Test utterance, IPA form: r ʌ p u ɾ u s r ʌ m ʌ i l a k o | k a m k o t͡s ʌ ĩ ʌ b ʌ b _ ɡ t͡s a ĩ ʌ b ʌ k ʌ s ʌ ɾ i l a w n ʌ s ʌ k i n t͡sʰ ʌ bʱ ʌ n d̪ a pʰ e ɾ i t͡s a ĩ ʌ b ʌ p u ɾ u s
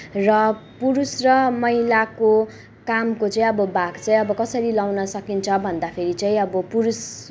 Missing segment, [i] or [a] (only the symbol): a